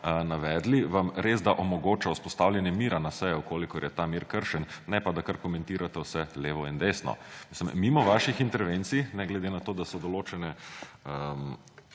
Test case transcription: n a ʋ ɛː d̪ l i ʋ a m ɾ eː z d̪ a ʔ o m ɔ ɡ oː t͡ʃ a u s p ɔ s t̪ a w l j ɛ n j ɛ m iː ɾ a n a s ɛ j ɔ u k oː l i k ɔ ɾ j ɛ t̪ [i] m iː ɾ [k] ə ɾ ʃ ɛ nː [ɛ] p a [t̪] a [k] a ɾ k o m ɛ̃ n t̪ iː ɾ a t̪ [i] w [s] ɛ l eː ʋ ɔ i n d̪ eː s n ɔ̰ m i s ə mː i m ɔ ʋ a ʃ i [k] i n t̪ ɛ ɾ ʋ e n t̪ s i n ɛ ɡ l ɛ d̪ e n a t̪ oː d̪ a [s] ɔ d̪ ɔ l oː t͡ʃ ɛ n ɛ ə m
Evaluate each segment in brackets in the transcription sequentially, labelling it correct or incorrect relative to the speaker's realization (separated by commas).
incorrect, correct, correct, incorrect, correct, incorrect, correct, incorrect, correct